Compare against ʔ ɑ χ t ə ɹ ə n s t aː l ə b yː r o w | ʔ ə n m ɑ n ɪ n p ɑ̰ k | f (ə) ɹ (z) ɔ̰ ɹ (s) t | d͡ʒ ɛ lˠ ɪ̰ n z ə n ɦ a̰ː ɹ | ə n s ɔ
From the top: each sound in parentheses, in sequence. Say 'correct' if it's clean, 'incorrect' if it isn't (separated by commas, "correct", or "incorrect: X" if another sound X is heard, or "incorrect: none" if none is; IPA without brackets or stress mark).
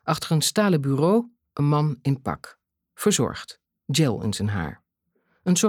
correct, correct, incorrect: χ